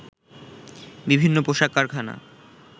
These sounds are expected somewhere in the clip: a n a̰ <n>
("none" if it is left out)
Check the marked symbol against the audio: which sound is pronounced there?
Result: none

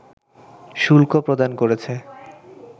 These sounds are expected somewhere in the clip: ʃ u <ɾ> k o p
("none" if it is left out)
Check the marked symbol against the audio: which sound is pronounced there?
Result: l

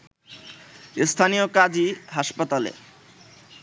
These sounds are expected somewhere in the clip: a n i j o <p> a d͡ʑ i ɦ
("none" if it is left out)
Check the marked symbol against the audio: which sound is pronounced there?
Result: k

